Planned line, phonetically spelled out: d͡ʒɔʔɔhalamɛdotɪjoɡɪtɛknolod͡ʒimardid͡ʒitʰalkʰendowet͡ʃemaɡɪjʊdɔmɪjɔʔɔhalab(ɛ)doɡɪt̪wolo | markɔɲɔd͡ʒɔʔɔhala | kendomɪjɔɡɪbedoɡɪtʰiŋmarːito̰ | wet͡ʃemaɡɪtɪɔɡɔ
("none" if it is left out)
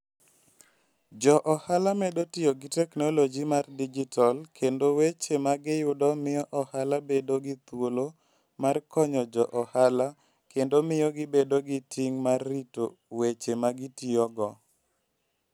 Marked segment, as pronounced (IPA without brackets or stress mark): e